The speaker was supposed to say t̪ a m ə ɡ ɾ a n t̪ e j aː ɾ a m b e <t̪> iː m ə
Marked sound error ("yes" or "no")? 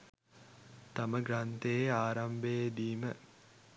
yes